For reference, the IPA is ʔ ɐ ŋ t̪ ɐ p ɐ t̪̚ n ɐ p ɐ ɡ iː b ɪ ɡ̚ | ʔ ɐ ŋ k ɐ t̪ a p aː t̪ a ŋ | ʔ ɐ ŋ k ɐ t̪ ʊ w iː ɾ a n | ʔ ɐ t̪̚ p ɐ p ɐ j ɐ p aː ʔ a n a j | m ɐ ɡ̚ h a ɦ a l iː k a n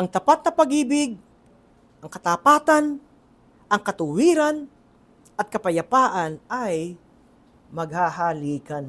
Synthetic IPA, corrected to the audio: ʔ ɐ ŋ t̪ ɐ p a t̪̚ n ɐ p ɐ ɡ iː b ɪ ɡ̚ | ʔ ɐ ŋ k ɐ t̪ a p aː t̪ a n | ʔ ɐ ŋ k ɐ t̪ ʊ w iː ɾ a n | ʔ ɐ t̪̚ k ɐ p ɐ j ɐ p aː ʔ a n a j | m ɐ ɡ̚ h a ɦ a l iː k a n